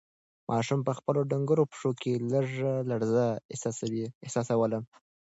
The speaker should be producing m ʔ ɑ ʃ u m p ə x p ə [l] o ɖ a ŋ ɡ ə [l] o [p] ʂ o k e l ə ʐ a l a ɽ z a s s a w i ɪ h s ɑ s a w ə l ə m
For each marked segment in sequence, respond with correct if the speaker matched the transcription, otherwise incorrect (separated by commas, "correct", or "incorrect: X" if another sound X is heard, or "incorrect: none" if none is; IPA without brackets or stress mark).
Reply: correct, incorrect: ɾ, correct